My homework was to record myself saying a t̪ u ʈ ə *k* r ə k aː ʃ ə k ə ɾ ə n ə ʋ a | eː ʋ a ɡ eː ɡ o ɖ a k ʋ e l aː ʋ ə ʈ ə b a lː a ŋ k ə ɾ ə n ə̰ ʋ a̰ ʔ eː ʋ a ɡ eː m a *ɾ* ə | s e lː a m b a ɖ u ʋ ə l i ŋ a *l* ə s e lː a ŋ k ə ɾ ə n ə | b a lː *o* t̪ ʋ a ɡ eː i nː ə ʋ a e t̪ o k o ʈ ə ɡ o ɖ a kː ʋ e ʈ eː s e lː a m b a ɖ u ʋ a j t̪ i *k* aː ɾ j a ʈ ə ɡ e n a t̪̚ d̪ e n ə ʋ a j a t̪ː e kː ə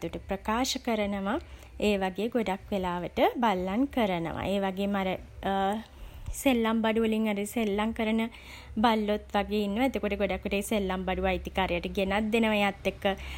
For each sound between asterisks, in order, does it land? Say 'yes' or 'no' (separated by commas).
no, yes, no, yes, yes